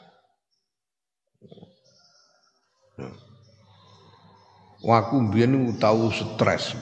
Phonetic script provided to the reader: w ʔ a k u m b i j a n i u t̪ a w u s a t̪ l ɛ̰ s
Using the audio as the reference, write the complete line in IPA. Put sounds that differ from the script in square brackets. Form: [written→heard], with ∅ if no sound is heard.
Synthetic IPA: w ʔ a k u m b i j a n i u t̪ a w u s [a→ə] t̪ [l→ɾ] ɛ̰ s